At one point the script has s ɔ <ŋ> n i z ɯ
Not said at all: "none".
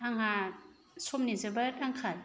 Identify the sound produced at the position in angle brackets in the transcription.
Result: m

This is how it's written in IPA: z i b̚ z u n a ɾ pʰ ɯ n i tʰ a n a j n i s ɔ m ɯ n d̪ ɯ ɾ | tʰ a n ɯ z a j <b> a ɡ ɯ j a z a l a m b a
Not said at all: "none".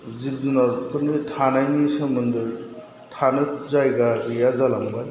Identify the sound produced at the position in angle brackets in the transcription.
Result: ɡ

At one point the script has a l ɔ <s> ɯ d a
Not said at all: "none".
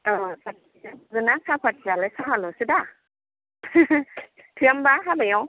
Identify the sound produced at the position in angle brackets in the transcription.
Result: s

